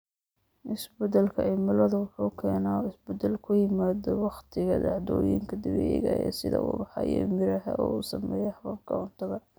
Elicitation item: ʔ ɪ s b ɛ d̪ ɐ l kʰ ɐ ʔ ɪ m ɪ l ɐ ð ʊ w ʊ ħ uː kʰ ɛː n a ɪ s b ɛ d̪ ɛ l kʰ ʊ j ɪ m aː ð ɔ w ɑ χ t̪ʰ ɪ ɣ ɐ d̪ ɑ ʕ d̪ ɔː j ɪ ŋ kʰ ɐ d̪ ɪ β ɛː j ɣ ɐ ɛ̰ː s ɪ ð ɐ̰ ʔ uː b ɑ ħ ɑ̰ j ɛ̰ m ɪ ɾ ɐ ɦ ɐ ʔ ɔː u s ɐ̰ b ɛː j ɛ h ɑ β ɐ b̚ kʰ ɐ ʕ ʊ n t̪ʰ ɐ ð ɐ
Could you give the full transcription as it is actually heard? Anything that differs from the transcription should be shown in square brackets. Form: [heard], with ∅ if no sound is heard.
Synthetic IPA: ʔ ɪ s b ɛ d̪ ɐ l kʰ ɐ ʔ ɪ m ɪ l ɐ ð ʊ w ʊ ħ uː kʰ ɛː n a ɪ s b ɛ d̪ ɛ l kʰ ʊ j ɪ m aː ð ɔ w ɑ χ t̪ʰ ɪ ɣ ɐ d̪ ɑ ʕ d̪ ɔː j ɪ ŋ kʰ ɐ d̪ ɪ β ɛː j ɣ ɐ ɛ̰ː s ɪ ð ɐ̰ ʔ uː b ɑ ħ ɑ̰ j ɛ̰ m ɪ ɾ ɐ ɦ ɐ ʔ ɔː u s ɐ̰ [m] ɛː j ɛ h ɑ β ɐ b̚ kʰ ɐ ʕ ʊ n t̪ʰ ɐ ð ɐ